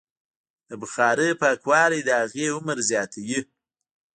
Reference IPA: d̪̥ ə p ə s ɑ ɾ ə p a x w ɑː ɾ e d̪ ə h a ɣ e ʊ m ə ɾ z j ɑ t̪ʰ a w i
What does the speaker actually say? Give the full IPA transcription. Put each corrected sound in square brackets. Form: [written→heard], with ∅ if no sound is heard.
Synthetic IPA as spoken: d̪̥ ə [p→b] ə [s→x] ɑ ɾ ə p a [x→k] w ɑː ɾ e d̪ ə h a ɣ e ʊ m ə ɾ z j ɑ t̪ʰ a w i